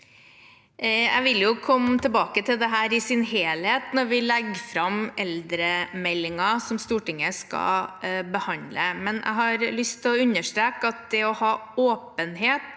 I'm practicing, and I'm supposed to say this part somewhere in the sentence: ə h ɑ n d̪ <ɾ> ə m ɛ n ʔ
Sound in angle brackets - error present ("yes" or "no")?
yes